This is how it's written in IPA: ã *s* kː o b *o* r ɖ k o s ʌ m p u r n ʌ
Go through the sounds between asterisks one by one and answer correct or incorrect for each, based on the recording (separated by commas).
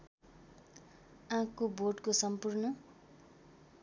incorrect, correct